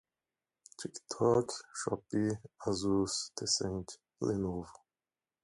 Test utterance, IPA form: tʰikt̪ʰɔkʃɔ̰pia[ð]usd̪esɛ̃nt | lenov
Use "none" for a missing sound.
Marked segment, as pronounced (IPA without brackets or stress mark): z